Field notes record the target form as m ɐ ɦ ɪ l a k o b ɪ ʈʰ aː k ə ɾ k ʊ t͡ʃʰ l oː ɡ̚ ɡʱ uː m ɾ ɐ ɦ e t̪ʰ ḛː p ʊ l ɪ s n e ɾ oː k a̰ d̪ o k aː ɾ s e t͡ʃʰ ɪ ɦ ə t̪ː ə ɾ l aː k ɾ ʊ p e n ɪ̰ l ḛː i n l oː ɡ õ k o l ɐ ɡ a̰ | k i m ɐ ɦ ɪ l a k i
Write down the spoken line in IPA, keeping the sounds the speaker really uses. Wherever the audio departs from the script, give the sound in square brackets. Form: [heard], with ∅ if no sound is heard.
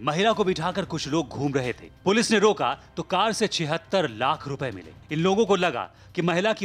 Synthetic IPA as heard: m ɐ ɦ ɪ l a k o b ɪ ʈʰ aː k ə ɾ k ʊ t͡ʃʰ l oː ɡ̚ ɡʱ uː m ɾ ɐ ɦ e t̪ʰ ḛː p ʊ l ɪ s n e ɾ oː k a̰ [t̪] o k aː ɾ s e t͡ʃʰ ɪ ɦ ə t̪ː ə ɾ l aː [kʰ] ɾ ʊ p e [m] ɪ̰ l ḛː [ɪ] n l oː ɡ õ k o l ɐ ɡ a̰ | k i m ɐ ɦ ɪ l a k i